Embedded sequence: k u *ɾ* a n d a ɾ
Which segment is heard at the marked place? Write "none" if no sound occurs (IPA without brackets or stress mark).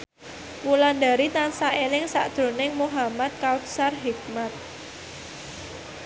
l